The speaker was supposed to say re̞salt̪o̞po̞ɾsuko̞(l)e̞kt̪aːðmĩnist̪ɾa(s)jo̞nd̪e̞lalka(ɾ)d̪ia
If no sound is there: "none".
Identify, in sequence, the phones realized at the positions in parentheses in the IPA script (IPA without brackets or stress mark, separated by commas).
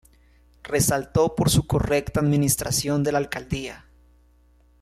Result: r, s, l